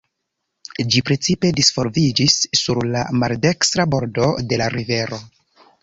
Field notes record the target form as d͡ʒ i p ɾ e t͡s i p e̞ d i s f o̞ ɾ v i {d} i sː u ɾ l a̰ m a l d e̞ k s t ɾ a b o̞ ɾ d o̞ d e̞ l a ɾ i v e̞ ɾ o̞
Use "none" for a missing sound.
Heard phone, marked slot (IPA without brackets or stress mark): d͡ʒ